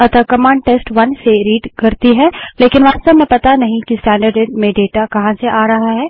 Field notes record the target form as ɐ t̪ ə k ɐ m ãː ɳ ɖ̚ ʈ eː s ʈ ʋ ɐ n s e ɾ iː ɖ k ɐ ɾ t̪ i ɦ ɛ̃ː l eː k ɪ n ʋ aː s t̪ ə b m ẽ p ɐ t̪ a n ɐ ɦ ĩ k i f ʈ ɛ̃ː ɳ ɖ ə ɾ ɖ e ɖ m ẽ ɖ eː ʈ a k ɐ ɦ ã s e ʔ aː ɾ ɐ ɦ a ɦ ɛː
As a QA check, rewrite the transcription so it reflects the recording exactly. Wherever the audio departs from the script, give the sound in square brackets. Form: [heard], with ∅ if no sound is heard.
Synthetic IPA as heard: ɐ t̪ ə k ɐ m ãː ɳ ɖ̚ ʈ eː s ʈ ʋ ɐ n s e ɾ iː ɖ k ɐ ɾ t̪ i ɦ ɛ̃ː l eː k ɪ n ʋ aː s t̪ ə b m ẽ p ɐ t̪ a n ɐ ɦ ĩ k i [s] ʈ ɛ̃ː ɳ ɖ ə ɾ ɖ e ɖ m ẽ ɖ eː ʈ a k ɐ ɦ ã s e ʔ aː ɾ ɐ ɦ a ɦ ɛː